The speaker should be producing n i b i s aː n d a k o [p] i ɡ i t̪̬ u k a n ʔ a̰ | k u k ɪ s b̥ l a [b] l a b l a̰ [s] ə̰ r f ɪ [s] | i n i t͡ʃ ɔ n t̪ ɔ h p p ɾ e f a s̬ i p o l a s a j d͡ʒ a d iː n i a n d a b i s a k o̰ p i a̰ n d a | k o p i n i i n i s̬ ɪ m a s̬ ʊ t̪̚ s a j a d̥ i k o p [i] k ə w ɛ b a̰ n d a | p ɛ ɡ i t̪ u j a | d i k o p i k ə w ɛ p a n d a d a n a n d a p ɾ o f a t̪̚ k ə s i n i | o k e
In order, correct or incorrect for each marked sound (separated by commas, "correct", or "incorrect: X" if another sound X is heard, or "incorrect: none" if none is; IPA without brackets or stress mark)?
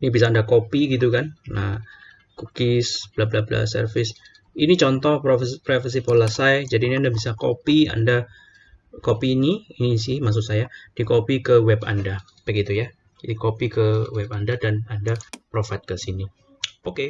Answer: correct, correct, correct, correct, correct